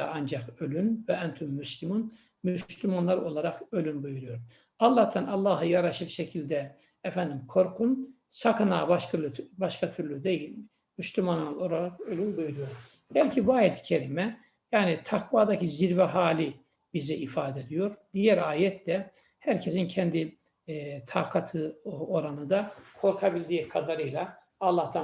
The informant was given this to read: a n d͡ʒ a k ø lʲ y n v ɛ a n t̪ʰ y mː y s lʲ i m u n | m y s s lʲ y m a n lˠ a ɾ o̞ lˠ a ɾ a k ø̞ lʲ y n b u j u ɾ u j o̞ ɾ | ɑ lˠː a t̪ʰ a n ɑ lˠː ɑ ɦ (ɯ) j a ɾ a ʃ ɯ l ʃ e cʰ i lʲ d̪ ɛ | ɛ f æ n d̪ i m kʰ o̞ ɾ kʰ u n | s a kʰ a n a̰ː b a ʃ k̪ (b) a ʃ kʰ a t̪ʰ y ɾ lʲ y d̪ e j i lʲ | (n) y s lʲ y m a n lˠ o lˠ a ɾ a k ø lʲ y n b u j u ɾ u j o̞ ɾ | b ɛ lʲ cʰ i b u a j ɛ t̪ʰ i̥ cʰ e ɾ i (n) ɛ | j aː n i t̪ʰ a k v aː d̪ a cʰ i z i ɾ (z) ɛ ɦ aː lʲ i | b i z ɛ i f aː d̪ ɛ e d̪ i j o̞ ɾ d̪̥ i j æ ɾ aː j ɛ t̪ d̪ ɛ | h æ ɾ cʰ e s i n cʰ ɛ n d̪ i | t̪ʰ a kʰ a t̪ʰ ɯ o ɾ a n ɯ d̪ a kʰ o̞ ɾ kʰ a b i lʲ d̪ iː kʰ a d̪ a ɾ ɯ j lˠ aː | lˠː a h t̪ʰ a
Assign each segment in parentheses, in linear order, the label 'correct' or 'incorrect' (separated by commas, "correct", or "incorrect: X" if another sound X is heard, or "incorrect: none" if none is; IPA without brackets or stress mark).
correct, correct, incorrect: m, incorrect: m, incorrect: v